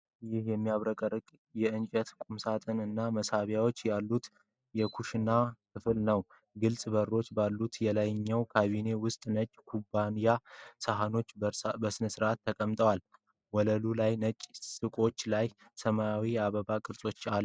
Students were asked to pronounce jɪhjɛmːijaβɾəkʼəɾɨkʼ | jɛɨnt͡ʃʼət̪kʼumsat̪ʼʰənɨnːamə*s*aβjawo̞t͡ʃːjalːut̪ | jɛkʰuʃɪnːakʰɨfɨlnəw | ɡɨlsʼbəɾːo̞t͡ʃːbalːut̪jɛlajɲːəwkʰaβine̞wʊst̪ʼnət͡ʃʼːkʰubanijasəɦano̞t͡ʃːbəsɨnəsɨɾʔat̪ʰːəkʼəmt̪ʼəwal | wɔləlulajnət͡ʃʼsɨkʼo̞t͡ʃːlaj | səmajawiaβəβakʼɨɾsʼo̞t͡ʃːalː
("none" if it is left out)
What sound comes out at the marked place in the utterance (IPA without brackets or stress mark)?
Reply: s